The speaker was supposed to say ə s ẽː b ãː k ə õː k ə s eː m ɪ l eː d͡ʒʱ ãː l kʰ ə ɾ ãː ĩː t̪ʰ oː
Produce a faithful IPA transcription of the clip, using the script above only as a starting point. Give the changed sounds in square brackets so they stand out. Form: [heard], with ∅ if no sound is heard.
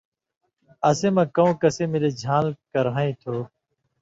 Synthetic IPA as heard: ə s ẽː [m] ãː k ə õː k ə s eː m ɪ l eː d͡ʒʱ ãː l [k] ə ɾ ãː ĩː t̪ʰ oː

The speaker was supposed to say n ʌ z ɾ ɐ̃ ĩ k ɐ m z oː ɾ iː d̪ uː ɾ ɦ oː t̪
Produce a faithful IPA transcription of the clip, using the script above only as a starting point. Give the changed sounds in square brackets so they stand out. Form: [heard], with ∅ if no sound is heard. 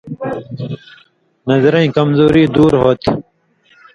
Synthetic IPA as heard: n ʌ z ɾ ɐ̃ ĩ k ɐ m z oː ɾ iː d̪ uː ɾ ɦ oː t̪

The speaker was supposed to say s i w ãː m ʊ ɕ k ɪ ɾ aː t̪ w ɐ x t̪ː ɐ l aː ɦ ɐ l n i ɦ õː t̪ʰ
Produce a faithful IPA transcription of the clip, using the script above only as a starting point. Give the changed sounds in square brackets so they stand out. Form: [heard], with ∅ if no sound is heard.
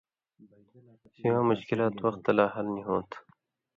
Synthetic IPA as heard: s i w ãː m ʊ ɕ k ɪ [l] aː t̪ w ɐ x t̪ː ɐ l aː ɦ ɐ l n i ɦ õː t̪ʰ

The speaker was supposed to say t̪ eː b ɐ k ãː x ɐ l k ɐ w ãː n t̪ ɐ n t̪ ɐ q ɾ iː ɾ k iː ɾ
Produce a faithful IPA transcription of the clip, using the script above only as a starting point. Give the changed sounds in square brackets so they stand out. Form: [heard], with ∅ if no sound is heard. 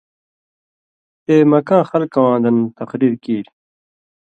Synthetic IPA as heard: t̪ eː [m] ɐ k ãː x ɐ l k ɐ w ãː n [d̪] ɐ n t̪ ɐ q ɾ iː ɾ k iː ɾ

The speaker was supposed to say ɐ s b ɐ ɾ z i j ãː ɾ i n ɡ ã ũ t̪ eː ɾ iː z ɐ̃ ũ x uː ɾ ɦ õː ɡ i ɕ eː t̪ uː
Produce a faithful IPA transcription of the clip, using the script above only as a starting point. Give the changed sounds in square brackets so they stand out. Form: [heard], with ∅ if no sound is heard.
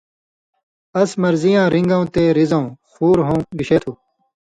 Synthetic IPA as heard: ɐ s [m] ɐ ɾ z i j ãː ɾ i [ŋ] ɡ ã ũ t̪ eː ɾ [i] z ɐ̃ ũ x uː ɾ ɦ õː ɡ i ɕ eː [t̪ʰ] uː

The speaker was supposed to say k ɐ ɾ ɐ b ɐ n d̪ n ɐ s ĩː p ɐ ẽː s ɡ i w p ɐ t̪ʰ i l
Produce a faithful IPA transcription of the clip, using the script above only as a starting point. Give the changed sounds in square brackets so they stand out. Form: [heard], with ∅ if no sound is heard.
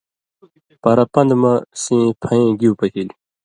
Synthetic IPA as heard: [p] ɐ ɾ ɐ [p] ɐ n d̪ [m] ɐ s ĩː [pʰ] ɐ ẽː [∅] ɡ i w p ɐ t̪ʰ i l

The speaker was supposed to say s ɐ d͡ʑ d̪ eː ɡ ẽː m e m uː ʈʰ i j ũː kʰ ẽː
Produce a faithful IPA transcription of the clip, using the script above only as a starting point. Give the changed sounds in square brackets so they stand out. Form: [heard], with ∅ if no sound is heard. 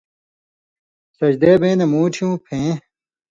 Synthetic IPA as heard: s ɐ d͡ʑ d̪ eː [b] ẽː [n] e m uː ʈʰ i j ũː [pʰ] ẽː

